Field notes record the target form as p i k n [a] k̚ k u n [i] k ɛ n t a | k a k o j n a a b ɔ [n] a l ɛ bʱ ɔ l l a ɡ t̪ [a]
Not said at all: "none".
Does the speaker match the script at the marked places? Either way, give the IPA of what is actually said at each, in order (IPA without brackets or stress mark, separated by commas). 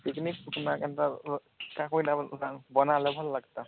i, a, n, a